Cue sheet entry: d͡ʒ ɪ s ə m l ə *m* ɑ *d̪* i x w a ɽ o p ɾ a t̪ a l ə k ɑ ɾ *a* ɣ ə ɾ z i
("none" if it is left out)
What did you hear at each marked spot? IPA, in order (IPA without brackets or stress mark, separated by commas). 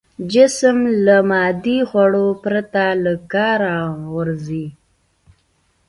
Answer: m, d̪, a